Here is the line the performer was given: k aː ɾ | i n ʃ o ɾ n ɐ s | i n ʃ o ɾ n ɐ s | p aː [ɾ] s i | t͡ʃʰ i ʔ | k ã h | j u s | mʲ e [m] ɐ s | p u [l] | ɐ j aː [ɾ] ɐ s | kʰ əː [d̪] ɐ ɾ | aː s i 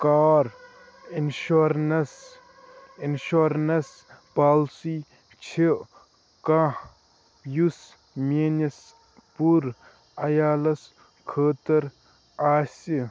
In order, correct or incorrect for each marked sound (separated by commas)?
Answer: incorrect, incorrect, incorrect, incorrect, incorrect